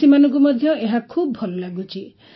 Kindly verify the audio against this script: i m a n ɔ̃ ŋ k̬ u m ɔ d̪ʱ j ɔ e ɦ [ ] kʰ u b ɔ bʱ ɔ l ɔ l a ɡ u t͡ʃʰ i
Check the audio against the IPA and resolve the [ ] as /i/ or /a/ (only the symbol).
a